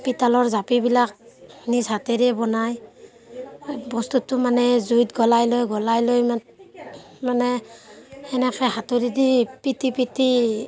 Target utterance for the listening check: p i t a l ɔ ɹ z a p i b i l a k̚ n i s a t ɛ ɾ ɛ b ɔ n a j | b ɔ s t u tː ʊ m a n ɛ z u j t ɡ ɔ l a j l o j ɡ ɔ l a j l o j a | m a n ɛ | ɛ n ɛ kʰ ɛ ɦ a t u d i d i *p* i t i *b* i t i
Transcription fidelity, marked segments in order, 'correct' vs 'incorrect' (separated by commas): correct, incorrect